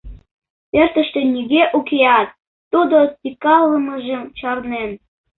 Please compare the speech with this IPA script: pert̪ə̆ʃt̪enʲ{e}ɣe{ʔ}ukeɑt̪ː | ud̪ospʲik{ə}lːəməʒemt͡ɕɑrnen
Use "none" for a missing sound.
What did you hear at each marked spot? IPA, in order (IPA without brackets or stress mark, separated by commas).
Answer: i, ʔ, ɑ